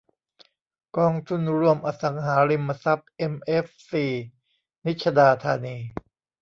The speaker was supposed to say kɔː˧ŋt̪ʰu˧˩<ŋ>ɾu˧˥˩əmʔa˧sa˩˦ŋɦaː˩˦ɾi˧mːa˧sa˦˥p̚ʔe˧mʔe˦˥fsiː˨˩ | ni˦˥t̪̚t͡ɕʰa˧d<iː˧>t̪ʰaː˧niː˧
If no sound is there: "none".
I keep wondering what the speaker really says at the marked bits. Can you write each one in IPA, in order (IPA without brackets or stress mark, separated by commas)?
n, aː˧